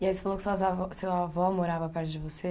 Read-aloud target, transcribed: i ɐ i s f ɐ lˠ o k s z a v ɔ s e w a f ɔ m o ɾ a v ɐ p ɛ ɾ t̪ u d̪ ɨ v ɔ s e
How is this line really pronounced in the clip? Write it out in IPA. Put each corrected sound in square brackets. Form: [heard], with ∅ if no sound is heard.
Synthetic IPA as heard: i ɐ i s f ɐ lˠ o k s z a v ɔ s e w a [v] ɔ m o ɾ a v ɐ p ɛ ɾ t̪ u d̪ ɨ v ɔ s e